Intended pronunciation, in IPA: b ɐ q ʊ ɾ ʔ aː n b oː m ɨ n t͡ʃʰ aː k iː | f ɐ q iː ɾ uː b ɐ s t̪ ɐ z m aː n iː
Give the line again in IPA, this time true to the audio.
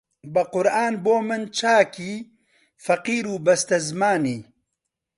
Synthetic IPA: b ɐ q ʊ ɾ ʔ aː n b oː m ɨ n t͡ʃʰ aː k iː | f ɐ q iː ɾ uː b ɐ s t̪ ɐ z m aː n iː

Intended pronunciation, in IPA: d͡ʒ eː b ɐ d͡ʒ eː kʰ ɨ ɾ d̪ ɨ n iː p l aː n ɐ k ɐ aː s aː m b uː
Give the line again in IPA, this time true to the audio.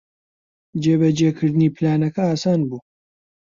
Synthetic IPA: d͡ʒ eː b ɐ d͡ʒ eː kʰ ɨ ɾ d̪ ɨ n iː p l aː n ɐ k ɐ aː s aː n b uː

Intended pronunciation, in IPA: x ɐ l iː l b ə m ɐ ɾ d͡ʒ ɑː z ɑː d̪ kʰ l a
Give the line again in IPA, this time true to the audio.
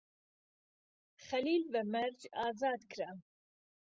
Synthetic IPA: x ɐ l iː l b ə m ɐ ɾ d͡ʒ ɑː z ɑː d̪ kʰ ɾ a

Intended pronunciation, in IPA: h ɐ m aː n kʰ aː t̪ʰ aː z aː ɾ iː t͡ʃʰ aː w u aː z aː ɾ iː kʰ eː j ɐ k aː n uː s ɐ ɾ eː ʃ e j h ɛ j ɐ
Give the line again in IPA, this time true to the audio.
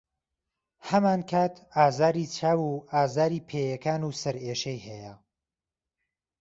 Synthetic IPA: h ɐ m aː n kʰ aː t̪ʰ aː z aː ɾ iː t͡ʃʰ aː w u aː z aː ɾ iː pʰ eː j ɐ k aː n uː s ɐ ɾ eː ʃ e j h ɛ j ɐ

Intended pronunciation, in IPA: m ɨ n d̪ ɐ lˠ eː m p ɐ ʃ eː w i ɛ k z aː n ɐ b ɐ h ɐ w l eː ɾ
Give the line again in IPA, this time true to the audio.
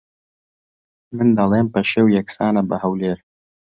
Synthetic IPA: m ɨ n d̪ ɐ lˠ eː m p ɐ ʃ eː w j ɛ k s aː n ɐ b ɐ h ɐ w l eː ɾ

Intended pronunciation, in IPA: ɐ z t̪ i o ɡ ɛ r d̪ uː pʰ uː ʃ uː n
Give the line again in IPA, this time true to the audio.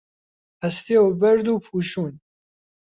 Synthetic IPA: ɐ s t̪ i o b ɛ ɾ d̪ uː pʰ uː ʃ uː n

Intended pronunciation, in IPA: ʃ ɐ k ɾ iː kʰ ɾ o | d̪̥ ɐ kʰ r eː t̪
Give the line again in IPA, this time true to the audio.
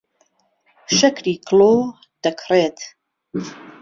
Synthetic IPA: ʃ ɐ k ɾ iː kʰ l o | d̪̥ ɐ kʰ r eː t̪

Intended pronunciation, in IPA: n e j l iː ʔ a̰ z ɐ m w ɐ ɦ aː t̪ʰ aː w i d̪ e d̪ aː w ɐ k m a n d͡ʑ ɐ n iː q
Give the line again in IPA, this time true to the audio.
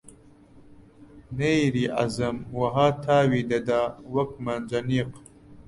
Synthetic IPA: n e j ɾ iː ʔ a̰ z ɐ m w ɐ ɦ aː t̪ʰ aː w i d̪ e d̪ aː w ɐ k m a n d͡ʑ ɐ n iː q

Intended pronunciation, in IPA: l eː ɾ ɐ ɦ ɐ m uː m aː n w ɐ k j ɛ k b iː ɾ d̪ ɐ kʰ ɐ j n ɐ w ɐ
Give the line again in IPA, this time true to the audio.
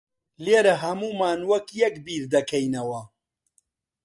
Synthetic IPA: l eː ɾ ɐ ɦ ɐ m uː m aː n w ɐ k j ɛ k b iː ɾ d̪ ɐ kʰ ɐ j n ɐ w ɐ

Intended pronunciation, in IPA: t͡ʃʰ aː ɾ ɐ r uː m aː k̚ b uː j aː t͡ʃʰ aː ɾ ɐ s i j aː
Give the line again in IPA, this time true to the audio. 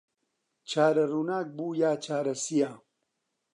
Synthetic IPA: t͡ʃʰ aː ɾ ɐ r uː n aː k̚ b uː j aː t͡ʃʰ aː ɾ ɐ s i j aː

